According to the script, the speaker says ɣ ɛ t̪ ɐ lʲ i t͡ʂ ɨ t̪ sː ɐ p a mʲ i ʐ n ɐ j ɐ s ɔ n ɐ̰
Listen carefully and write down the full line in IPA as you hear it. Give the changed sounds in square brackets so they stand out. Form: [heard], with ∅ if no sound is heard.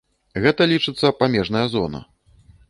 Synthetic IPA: ɣ ɛ t̪ ɐ lʲ i t͡ʂ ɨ t̪ sː ɐ p a mʲ [ɛ] ʐ n ɐ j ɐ [z] ɔ n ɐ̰

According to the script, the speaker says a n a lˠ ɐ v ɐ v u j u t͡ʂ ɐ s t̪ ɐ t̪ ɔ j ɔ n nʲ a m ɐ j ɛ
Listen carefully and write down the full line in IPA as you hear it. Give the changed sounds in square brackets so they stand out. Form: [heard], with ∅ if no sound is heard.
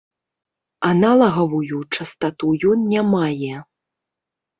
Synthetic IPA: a n a lˠ ɐ [ɣ] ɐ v u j u t͡ʂ ɐ s t̪ [a] t̪ [u] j ɔ n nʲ a m [a] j ɛ

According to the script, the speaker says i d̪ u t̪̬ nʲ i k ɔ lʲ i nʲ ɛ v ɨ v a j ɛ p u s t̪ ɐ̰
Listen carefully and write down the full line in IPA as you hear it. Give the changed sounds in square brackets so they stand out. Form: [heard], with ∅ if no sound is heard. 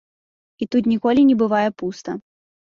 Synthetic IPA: i [t̪] u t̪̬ nʲ i k ɔ lʲ i nʲ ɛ [b] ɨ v a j ɛ p u s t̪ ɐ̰

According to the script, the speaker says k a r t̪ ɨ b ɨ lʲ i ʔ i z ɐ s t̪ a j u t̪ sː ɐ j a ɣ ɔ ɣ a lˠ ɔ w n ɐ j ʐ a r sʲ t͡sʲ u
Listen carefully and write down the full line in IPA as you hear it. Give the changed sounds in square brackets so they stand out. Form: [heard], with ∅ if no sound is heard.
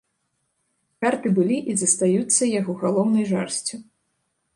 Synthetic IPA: k a r t̪ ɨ b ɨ lʲ i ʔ i z ɐ s t̪ a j u t̪ sː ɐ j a ɣ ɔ ɣ a lˠ ɔ w n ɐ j ʐ a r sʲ t͡sʲ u

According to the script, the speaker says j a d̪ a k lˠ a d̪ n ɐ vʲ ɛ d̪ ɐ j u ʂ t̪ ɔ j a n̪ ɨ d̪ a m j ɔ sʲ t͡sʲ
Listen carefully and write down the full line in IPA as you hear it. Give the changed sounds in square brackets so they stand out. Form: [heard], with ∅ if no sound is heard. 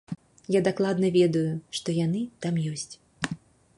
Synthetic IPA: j a d̪ a k lˠ a d̪ n ɐ vʲ ɛ d̪ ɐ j u ʂ t̪ ɔ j a n̪ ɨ [t̪] a m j ɔ sʲ t͡sʲ

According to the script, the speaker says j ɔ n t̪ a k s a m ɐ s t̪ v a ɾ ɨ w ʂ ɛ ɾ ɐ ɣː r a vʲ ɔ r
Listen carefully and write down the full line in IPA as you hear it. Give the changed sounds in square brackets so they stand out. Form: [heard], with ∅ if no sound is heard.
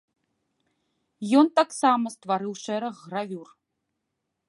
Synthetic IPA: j ɔ n t̪ a k s a m ɐ s t̪ v a ɾ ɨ w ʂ ɛ ɾ ɐ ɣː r a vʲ [u] r

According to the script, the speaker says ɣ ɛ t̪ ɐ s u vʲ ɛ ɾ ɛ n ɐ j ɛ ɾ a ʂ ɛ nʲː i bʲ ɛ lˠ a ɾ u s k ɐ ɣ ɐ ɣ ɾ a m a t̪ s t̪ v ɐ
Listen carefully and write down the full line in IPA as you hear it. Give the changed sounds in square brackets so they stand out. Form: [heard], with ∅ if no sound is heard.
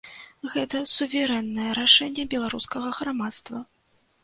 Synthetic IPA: ɣ ɛ t̪ ɐ s u vʲ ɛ ɾ ɛ [nː] ɐ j ɛ ɾ a ʂ ɛ nʲː [ɛ] bʲ ɛ lˠ a ɾ u s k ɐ ɣ ɐ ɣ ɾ a m a t̪ s t̪ v ɐ

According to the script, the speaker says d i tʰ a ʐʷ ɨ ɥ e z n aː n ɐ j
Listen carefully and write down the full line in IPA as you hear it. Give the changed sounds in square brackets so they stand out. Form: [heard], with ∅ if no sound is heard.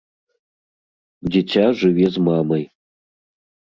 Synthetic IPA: d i tʰ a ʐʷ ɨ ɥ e z [m] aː [m] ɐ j

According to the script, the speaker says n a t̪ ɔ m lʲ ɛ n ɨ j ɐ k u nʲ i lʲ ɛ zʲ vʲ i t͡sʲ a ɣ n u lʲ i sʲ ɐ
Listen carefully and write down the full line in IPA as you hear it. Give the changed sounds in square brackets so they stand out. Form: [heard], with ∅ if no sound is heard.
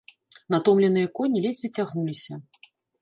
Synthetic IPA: n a t̪ ɔ m lʲ ɛ n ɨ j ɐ k [ɔ] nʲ i lʲ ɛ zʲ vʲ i t͡sʲ a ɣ n u lʲ i sʲ ɐ

